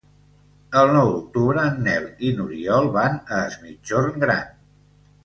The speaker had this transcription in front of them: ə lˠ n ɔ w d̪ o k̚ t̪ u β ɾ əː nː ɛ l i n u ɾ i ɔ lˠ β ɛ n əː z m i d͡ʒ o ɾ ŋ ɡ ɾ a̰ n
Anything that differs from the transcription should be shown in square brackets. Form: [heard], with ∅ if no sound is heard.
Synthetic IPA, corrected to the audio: ə lˠ n ɔ w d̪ [u] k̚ t̪ u β ɾ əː nː ɛ l i n u ɾ i ɔ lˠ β [a] n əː z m i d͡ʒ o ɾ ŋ ɡ ɾ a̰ n